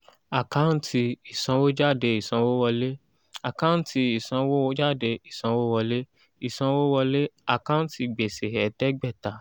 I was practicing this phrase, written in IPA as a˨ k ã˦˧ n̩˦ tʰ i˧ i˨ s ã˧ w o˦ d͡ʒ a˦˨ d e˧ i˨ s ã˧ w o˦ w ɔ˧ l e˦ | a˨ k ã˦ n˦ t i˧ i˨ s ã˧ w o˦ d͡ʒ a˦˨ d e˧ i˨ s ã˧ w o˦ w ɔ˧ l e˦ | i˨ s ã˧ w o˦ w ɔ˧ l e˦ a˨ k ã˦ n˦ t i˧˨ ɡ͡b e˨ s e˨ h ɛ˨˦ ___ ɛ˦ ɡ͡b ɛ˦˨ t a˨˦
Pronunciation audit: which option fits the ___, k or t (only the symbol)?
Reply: t